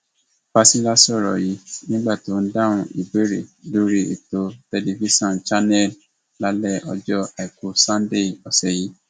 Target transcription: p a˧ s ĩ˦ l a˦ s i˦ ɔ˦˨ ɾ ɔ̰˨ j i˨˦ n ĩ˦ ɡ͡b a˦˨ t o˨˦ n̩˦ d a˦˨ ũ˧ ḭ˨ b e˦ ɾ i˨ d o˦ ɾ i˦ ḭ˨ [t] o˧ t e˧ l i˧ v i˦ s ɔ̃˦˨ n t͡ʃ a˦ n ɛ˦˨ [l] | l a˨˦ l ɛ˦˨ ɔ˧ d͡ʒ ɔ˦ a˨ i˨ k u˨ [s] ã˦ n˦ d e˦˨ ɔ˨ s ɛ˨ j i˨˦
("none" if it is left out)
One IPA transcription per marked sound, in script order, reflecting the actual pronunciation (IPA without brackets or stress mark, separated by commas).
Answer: t, l, s